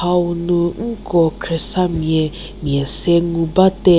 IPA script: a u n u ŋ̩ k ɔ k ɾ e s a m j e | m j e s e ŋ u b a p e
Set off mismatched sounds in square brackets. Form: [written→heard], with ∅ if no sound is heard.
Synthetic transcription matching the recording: a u n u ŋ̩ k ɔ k ɾ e s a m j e | m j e s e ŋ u b a [p→t] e